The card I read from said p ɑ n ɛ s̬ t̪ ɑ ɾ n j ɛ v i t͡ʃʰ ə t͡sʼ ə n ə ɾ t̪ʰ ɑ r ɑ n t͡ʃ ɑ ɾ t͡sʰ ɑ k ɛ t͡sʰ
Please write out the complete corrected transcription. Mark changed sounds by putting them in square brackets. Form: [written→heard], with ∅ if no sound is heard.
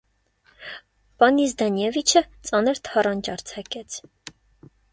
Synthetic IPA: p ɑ n [ɛ→i] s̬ [t̪→d̪] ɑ [ɾ→∅] n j ɛ v i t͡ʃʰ ə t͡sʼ [ə→ɑ] n ə ɾ t̪ʰ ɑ r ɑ n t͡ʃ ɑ ɾ t͡sʰ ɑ k ɛ t͡sʰ